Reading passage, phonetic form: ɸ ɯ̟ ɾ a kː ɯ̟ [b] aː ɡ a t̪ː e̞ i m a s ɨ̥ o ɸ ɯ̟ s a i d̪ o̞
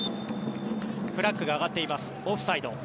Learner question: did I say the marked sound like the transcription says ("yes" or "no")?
no